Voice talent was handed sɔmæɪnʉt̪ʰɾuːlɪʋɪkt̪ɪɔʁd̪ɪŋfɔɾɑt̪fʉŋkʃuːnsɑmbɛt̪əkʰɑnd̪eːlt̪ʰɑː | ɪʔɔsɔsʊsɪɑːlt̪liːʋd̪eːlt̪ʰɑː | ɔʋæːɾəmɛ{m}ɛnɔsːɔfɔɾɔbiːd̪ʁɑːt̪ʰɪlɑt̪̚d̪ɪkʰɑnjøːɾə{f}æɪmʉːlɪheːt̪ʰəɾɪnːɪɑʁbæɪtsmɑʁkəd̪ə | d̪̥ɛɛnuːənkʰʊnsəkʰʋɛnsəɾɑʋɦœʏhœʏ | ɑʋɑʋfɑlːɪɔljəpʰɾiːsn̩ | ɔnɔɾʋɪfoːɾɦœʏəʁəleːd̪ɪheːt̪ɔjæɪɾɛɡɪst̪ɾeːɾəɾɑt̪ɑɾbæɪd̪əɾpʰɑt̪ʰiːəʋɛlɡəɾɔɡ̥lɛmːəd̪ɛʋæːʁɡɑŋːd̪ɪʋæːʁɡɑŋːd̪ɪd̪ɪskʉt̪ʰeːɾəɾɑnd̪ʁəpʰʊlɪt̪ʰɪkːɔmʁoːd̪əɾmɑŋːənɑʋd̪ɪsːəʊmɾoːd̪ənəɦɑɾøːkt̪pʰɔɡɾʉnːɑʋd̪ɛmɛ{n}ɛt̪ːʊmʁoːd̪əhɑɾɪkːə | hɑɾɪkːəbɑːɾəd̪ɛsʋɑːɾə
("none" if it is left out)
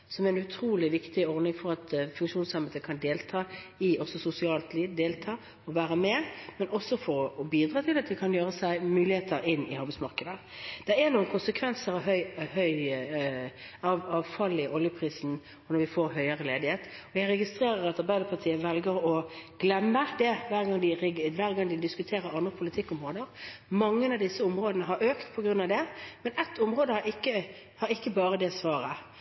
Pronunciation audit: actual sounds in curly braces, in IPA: m, s, n

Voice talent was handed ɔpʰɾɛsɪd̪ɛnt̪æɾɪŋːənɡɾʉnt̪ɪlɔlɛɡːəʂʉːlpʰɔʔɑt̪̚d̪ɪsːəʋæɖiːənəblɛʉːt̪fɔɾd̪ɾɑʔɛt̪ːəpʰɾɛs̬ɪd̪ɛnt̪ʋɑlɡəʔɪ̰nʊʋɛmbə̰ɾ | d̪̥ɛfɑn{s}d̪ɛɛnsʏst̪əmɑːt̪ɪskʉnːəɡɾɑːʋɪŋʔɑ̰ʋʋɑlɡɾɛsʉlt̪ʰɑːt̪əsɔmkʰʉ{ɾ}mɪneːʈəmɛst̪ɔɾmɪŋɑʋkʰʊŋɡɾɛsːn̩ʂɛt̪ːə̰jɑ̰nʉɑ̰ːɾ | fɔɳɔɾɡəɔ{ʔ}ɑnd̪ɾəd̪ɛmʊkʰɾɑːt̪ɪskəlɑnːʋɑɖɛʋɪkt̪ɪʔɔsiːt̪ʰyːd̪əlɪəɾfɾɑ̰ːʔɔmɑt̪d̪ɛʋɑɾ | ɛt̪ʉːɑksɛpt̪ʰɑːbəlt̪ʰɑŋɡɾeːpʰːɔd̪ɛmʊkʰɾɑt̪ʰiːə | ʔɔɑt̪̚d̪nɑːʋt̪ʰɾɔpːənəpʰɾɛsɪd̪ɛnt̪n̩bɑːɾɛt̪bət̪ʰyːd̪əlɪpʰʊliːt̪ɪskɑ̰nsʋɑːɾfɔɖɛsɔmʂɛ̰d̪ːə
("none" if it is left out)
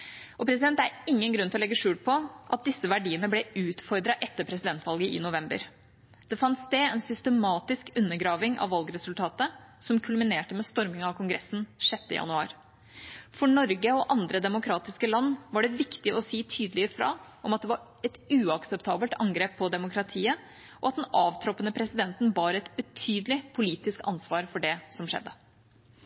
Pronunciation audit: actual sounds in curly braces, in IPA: s, l, ʔ

